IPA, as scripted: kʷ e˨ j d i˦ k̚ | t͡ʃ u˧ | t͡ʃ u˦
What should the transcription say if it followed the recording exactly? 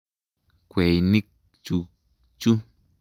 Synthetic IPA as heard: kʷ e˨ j n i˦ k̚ | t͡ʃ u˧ | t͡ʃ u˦